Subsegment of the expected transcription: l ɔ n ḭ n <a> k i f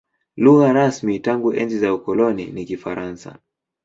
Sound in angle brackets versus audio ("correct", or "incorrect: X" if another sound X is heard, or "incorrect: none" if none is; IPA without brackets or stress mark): incorrect: i